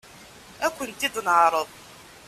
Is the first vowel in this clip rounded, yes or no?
no